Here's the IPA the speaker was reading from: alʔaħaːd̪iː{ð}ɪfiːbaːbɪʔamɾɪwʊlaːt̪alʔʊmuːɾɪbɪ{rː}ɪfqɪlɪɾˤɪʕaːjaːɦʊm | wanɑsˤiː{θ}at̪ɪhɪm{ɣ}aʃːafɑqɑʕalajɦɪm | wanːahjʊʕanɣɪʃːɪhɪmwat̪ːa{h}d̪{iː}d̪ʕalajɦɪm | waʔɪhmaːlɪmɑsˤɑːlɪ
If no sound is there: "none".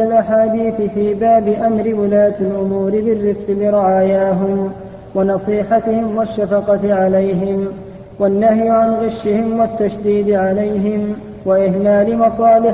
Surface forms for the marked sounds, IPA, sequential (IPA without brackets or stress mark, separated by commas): θ, rː, ħ, w, ʃ, iː